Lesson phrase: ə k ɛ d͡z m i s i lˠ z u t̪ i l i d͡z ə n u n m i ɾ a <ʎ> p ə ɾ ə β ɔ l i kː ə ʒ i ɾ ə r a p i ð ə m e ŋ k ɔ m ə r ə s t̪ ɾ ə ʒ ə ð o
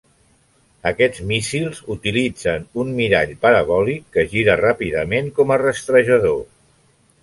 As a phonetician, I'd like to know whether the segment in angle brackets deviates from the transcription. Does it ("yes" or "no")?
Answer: no